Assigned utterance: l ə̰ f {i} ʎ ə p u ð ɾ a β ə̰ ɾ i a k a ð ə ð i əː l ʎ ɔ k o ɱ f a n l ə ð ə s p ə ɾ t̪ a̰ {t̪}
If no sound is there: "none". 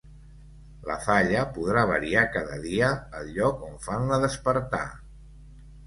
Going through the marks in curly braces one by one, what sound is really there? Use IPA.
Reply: a, none

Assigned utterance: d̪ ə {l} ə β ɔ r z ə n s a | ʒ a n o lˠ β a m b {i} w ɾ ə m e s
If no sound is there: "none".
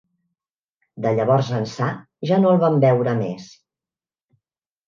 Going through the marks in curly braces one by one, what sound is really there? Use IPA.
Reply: ʎ, ɛ

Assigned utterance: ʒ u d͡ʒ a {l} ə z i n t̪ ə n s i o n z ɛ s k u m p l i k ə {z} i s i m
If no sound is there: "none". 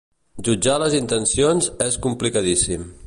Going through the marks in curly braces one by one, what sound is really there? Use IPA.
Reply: l, ð

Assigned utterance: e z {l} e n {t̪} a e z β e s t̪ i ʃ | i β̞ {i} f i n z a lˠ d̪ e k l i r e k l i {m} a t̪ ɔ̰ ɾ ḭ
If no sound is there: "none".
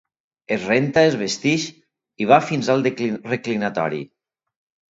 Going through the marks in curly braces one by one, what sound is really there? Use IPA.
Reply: r, t̪, a, n

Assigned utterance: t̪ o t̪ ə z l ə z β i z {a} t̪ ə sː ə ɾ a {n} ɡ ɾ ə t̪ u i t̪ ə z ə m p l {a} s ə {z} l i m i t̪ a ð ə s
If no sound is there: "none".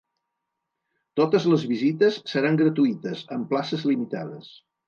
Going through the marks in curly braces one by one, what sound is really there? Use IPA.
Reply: i, ŋ, a, z

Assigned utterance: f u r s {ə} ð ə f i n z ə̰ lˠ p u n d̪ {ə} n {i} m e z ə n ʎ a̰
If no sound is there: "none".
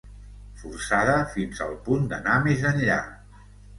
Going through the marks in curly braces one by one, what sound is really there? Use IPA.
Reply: a, ə, a

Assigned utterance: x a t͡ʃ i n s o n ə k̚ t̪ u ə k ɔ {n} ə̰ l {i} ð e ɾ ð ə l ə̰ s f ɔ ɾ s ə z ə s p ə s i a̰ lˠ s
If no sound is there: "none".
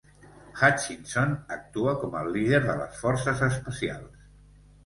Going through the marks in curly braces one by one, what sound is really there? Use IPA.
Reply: m, i

